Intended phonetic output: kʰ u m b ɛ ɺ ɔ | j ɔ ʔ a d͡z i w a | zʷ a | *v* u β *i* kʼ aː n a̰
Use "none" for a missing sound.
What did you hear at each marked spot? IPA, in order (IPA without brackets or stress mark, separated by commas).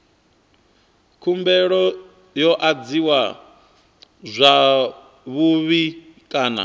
β, i